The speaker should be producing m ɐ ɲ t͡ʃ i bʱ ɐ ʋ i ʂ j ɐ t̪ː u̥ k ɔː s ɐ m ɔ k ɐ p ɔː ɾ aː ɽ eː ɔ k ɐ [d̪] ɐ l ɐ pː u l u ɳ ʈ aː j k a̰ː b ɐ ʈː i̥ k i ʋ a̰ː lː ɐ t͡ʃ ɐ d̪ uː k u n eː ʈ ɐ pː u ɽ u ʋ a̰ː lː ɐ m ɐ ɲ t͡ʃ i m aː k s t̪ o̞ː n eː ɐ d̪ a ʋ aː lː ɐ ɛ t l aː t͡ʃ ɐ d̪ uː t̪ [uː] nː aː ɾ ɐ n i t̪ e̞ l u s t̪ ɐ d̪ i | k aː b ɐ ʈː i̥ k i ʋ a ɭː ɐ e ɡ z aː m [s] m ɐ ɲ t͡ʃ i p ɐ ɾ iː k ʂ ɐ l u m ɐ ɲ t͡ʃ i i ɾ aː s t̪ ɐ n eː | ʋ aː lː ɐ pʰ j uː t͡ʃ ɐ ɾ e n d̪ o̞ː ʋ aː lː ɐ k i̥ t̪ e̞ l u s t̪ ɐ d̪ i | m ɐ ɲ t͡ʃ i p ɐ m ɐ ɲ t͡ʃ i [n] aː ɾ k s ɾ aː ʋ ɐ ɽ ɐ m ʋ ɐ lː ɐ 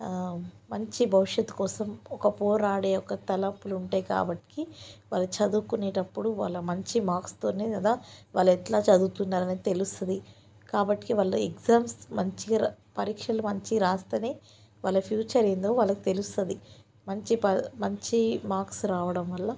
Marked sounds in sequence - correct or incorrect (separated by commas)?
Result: incorrect, incorrect, correct, incorrect